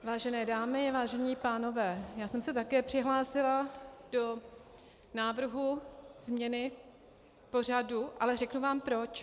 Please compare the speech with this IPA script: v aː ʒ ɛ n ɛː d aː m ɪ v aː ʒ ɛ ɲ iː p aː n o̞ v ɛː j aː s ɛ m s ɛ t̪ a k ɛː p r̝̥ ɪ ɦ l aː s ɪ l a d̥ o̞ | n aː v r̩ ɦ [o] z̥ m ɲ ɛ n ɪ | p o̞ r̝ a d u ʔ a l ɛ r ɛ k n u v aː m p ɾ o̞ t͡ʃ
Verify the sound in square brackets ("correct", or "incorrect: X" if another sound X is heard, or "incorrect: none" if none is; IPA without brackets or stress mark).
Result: incorrect: u